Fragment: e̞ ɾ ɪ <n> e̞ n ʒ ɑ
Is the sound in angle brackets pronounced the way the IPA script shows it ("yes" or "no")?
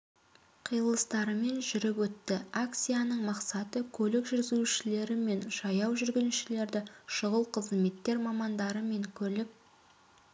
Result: no